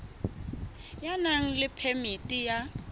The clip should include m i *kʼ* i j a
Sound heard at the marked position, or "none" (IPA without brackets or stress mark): tʼ